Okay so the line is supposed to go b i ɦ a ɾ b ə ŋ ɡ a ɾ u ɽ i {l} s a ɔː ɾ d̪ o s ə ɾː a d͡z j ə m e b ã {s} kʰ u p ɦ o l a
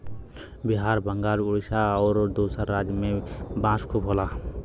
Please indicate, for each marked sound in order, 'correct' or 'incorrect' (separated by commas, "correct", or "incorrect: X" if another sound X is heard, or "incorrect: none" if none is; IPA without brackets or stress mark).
incorrect: none, correct